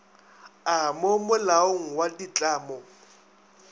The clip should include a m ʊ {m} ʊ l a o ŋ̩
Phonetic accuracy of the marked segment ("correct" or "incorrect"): correct